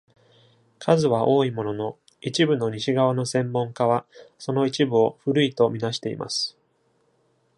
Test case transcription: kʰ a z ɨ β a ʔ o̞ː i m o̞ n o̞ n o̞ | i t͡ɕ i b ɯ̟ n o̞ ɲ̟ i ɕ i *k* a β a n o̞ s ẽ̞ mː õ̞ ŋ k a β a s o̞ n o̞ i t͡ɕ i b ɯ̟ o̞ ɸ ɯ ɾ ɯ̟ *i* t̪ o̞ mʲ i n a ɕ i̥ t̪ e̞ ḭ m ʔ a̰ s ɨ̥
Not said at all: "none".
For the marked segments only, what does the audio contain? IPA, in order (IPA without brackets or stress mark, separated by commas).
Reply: ɡ, i